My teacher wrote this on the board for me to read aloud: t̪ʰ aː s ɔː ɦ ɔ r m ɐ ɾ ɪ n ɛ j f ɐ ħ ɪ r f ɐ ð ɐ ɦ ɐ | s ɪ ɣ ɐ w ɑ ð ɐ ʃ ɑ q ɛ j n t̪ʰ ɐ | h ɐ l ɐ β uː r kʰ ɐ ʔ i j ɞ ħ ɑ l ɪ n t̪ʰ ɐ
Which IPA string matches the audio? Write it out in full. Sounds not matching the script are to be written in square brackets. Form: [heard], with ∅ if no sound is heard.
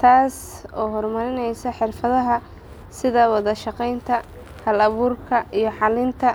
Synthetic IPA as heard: t̪ʰ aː s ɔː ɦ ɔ r m ɐ ɾ ɪ n ɛ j [s] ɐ ħ ɪ r f ɐ ð ɐ ɦ ɐ | s ɪ [ð] ɐ w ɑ ð ɐ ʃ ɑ q ɛ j n t̪ʰ ɐ | h ɐ l ɐ β uː r kʰ ɐ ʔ i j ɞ ħ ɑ l ɪ n t̪ʰ ɐ